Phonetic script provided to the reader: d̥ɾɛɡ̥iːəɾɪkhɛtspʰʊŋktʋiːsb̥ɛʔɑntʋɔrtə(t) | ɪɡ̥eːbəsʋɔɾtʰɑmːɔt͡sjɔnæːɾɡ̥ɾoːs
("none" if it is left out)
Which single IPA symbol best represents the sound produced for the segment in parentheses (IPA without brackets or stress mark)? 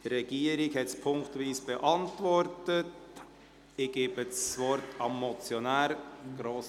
t